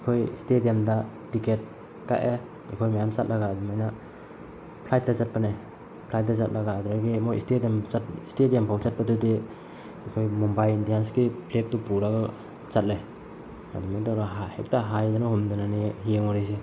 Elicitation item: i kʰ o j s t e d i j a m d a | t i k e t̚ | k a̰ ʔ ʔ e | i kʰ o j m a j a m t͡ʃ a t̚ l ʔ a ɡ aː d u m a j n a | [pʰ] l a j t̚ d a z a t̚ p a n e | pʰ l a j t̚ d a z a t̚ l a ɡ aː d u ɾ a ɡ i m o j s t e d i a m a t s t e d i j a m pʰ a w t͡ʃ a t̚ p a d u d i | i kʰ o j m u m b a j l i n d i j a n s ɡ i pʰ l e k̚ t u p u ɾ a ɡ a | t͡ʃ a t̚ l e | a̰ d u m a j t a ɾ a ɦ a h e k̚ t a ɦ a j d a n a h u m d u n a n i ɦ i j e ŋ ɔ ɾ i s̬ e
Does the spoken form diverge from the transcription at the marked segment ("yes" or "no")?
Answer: no